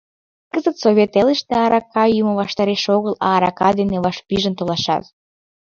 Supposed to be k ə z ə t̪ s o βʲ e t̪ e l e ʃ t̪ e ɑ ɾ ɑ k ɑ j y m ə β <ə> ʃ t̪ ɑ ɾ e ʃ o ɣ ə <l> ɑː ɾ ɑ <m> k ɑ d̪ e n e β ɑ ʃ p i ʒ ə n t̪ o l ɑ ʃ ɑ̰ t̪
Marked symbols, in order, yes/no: no, yes, no

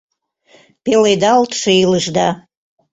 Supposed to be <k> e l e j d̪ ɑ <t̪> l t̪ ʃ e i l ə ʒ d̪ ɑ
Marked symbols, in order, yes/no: no, no

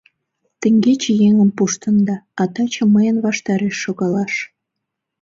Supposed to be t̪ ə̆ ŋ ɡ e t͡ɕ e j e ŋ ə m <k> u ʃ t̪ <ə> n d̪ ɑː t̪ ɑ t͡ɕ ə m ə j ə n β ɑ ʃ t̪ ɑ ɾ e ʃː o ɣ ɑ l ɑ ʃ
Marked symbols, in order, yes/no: no, yes

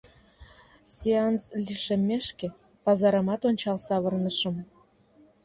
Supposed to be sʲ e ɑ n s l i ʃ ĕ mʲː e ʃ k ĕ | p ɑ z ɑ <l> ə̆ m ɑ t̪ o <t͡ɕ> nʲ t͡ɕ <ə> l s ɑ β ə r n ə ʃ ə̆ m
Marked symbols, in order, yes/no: no, no, no

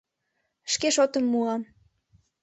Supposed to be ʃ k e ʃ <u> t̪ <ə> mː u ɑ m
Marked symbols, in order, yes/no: no, yes

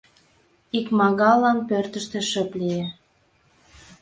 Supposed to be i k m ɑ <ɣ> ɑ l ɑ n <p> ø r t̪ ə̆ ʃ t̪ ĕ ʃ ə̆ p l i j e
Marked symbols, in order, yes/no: yes, yes

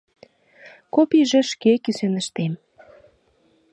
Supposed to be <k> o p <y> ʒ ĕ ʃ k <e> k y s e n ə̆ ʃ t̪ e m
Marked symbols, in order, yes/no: yes, no, yes

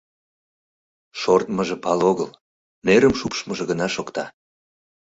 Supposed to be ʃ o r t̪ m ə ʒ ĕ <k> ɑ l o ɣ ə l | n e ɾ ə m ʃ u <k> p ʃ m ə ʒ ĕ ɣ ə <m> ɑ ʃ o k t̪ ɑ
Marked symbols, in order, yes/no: no, no, no

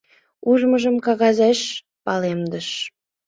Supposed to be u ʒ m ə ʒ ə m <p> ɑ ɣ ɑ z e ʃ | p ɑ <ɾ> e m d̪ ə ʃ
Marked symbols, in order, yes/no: no, no

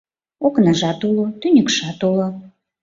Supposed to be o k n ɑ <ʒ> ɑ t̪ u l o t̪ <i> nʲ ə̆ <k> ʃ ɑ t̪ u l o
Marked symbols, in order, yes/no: yes, no, yes

